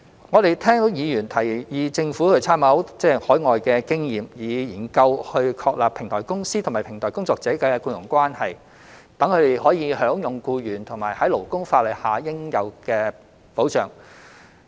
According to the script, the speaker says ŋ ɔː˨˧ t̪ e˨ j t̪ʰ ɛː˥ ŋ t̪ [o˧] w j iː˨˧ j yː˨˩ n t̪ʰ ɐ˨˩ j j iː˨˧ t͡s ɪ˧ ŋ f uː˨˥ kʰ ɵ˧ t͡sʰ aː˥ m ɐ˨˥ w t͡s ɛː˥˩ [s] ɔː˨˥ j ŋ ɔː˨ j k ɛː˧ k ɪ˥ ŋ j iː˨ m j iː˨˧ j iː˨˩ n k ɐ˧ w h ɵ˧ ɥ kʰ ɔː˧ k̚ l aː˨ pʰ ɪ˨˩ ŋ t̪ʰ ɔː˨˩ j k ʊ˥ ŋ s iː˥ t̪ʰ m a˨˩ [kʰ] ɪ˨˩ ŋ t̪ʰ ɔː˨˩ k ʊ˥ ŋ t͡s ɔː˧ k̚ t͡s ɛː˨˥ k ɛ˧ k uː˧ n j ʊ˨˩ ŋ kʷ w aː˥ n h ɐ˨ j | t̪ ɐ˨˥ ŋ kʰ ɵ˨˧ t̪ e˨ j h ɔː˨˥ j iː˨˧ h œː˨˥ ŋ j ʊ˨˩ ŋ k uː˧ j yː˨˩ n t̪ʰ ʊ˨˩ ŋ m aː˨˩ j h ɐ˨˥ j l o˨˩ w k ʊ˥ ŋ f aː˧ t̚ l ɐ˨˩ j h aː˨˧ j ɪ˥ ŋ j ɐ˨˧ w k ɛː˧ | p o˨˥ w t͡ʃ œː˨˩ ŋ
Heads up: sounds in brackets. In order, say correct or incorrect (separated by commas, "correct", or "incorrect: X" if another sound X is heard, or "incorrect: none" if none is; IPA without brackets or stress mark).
incorrect: o˨˥, incorrect: h, incorrect: pʰ